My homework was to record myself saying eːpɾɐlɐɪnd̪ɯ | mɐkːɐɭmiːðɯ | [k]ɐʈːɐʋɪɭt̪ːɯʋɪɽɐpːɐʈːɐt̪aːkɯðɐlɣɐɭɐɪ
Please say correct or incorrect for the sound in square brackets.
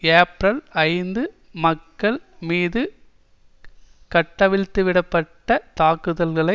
correct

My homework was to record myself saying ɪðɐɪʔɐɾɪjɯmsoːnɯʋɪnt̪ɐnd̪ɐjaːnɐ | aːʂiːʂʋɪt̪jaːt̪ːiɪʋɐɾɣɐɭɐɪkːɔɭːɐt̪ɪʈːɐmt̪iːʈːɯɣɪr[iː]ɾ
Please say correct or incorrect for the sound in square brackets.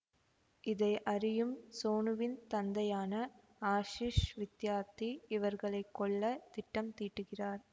incorrect: aː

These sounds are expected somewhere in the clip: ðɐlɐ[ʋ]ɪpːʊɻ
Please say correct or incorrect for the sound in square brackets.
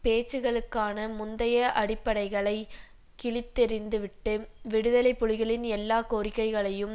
incorrect: none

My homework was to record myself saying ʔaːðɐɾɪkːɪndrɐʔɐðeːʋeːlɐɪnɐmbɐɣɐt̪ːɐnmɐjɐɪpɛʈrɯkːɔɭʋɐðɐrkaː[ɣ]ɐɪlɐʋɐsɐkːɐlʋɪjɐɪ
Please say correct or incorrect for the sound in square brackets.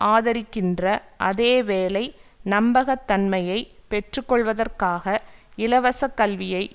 correct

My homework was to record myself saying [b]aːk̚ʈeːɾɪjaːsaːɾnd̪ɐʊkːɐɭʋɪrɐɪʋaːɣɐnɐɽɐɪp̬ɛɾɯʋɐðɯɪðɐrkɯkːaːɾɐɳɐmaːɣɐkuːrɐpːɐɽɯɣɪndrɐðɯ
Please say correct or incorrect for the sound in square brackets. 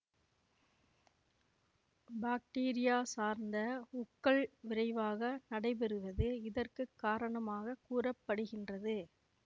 correct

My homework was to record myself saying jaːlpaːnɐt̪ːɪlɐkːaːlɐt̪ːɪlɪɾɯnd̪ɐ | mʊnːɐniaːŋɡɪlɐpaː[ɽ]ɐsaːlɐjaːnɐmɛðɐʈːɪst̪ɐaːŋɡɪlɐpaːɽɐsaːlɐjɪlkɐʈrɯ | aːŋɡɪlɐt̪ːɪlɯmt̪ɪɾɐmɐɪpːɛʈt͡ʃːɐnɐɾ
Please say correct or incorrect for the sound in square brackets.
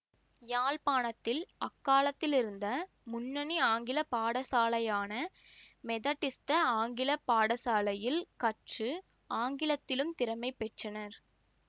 correct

